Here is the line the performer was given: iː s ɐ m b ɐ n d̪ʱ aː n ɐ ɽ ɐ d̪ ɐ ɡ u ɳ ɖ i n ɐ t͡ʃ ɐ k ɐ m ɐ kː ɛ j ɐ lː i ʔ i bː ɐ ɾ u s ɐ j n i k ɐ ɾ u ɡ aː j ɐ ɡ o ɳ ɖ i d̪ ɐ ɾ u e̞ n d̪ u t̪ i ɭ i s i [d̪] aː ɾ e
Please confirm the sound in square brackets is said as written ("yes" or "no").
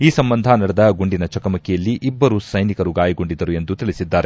no